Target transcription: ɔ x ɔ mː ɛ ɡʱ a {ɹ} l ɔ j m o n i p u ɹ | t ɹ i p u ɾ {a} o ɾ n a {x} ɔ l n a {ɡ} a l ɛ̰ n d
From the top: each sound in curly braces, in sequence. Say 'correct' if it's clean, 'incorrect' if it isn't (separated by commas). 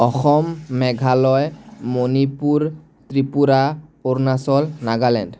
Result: incorrect, correct, incorrect, correct